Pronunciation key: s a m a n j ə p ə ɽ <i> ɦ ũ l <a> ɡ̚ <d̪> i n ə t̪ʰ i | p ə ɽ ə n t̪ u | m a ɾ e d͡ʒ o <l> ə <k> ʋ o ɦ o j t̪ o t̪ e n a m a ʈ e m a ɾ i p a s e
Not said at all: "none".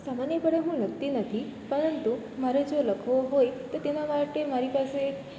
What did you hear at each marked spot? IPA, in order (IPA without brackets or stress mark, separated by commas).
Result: e, ə, t̪, l, kʰ